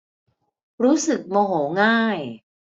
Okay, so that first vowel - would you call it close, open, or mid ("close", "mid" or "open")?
close